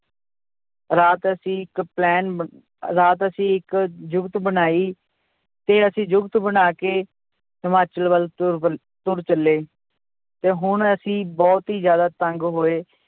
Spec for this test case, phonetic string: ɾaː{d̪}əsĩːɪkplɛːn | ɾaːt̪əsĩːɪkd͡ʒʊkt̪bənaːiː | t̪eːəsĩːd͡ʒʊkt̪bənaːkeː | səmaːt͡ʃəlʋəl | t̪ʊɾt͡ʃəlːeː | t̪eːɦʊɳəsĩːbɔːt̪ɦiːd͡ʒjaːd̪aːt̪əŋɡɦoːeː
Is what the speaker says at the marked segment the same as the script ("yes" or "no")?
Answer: no